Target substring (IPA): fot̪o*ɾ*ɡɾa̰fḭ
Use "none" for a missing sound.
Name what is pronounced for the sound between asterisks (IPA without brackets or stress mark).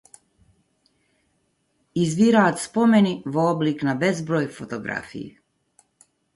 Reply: none